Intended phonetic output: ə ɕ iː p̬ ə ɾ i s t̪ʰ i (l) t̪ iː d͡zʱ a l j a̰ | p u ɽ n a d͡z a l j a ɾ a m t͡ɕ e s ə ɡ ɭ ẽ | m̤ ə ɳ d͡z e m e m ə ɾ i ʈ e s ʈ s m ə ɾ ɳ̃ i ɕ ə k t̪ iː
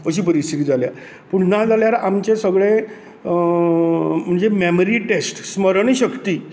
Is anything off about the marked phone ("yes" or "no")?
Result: yes